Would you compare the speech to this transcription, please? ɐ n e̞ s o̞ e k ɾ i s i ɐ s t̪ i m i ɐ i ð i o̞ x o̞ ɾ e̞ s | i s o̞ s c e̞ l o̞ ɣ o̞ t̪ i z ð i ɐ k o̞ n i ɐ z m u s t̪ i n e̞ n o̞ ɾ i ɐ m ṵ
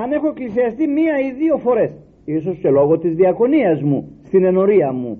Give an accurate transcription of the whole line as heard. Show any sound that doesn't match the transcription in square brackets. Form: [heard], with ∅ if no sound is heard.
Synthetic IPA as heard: ɐ n e̞ [x] o̞ e k [l] i s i ɐ s t̪ i m i ɐ i ð i o̞ [f] o̞ ɾ e̞ s | i s o̞ s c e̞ l o̞ ɣ o̞ t̪ i z ð i ɐ k o̞ n i ɐ z m u s t̪ i n e̞ n o̞ ɾ i ɐ m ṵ